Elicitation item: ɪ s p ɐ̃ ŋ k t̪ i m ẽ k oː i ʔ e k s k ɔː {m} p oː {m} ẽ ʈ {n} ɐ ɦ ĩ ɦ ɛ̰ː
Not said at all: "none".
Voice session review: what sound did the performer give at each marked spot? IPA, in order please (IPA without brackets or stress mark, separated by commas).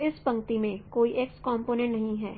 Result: m, n, n